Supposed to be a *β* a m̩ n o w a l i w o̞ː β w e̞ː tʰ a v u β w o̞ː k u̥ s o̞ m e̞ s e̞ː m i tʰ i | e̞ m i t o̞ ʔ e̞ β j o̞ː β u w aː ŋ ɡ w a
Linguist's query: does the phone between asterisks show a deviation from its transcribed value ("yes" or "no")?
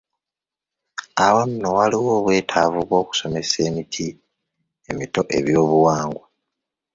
yes